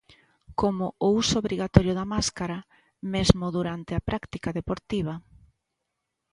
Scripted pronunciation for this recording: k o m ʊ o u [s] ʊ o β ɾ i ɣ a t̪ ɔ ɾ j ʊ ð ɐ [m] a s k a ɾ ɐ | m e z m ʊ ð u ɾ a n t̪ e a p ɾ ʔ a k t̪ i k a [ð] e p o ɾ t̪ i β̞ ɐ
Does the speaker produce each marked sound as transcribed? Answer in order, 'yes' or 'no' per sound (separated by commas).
yes, yes, yes